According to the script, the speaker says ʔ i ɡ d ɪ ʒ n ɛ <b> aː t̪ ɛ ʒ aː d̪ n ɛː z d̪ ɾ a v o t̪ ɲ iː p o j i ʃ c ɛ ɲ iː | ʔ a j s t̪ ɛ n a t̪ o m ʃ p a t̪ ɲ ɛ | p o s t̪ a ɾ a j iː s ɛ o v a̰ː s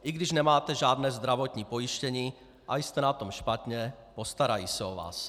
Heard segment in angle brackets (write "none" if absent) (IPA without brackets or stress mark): m